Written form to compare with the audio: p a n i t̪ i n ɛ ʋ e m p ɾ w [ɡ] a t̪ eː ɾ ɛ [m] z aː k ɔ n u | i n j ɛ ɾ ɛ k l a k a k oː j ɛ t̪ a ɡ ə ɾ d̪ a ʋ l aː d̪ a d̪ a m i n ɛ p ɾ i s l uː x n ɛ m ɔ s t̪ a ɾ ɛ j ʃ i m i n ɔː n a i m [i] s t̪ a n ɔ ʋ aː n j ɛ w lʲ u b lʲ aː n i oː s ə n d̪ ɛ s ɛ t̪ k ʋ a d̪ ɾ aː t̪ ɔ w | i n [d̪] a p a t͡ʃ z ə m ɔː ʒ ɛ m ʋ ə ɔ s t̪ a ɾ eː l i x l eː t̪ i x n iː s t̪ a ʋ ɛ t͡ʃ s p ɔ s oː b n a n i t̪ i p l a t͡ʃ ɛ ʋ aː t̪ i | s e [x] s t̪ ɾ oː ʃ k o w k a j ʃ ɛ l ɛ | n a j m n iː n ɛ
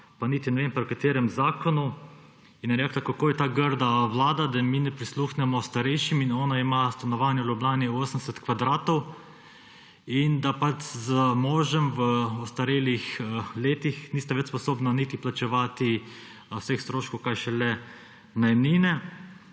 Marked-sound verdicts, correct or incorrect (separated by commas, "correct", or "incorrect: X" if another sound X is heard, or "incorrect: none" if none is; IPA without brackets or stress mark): incorrect: k, correct, incorrect: a, correct, correct